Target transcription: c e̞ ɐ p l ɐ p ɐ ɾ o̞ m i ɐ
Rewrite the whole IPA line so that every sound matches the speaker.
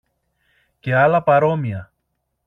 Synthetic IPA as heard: c e̞ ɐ l ɐ p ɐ ɾ o̞ m i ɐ